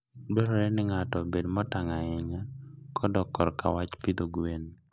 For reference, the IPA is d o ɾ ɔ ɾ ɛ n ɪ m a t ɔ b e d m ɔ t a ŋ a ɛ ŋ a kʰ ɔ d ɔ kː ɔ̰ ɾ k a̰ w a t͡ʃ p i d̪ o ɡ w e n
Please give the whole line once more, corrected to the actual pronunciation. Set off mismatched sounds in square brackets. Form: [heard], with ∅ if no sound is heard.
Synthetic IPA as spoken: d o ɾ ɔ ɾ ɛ n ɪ [ŋ] a t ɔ b e d m ɔ t a ŋ a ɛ [ɲ] a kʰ ɔ d ɔ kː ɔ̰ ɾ k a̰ w a t͡ʃ p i d̪ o ɡ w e n